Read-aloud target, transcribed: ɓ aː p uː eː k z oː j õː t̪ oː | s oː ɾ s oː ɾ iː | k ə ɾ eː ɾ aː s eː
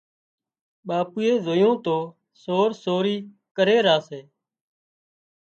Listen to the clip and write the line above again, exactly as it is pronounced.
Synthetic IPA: ɓ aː p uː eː z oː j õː t̪ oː | s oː ɾ s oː ɾ iː | k ə ɾ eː ɾ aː s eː